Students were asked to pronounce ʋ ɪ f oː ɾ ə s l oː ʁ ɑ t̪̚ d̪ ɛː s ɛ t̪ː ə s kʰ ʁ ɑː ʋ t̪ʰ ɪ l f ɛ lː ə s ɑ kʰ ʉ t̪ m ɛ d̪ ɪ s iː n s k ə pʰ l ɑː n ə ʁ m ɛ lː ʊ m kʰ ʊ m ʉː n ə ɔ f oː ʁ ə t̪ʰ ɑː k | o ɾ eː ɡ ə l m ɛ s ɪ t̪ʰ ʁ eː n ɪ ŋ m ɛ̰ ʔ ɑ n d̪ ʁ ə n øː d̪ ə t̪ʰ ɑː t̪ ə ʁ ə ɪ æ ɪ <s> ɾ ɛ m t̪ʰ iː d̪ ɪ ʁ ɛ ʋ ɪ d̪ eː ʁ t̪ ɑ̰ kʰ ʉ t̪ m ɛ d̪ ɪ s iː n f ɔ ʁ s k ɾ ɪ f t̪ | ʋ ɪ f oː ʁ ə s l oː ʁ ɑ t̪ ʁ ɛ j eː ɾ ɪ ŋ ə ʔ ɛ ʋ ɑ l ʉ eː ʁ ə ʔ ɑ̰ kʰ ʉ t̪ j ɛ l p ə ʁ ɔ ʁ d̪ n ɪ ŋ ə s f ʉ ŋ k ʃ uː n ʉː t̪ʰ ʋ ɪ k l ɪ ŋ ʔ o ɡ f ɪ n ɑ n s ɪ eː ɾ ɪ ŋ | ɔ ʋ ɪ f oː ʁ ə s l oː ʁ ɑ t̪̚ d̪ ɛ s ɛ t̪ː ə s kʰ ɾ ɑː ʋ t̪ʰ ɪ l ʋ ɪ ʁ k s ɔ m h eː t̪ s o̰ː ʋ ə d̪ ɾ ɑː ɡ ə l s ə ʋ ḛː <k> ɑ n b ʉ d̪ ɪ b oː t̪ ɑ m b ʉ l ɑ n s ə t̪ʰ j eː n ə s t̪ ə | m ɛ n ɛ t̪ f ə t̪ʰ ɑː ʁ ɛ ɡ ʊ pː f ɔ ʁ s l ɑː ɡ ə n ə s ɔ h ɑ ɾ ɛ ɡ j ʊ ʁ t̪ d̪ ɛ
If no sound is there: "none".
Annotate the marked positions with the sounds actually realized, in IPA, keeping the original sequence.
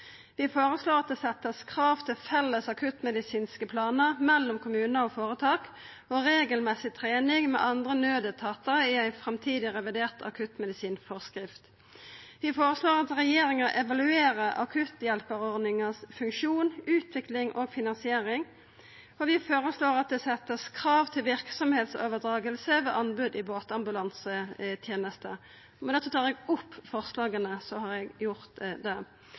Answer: f, ʔ

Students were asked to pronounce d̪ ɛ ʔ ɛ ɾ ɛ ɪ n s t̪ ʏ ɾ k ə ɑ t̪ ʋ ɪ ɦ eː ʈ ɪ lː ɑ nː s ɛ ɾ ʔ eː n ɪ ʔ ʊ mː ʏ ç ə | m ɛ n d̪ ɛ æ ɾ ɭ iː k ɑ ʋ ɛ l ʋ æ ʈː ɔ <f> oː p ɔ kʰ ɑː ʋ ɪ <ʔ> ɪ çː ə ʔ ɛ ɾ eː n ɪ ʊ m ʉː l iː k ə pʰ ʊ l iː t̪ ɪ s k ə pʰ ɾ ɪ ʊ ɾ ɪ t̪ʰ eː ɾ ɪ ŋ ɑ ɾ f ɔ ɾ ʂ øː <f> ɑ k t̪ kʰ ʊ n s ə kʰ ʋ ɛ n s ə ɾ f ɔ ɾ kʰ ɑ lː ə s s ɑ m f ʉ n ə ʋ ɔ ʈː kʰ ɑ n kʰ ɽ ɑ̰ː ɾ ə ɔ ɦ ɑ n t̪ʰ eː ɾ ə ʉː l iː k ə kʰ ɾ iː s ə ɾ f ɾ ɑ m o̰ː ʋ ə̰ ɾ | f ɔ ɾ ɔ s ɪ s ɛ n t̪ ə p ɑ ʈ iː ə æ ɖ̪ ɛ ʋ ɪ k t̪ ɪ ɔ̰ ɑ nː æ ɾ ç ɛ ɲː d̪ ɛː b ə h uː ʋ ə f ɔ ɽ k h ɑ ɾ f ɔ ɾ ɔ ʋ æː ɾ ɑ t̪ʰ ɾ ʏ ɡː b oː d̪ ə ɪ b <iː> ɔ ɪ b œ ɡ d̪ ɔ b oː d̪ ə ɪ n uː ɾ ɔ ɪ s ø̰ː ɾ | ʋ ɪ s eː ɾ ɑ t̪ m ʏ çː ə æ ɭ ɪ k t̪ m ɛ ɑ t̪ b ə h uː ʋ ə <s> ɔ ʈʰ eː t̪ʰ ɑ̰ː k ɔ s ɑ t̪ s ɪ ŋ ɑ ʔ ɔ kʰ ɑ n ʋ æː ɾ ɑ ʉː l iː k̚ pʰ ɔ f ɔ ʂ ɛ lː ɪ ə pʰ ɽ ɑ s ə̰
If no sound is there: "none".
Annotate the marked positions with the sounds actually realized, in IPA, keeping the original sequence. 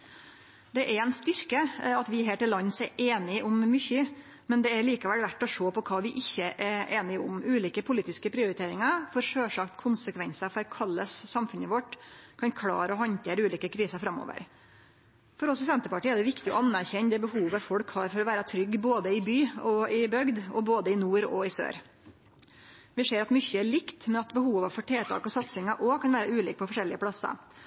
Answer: ʂ, ʔ, ʂ, yː, f

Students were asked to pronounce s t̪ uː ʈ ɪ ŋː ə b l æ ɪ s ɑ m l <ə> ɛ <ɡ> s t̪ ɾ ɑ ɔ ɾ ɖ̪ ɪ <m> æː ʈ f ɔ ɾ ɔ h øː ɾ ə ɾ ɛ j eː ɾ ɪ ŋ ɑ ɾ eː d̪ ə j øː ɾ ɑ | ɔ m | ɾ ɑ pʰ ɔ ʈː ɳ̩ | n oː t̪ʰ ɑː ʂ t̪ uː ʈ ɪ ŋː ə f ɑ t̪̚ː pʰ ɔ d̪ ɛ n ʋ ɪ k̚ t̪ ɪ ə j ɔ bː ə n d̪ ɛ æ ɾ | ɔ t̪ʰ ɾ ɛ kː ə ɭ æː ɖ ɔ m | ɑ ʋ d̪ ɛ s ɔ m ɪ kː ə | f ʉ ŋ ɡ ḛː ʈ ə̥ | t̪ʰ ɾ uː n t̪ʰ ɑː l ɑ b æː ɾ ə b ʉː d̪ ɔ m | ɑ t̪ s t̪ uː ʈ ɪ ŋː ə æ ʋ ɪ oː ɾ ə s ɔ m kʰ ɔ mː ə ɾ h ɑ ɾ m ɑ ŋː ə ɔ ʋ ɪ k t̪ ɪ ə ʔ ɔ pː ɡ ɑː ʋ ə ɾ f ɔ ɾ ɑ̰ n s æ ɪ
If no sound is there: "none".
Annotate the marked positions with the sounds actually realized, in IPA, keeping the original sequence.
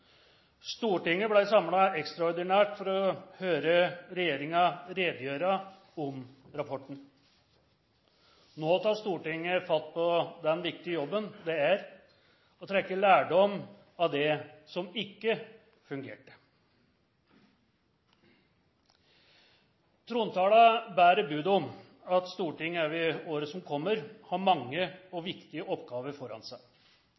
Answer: ɑ, k, n

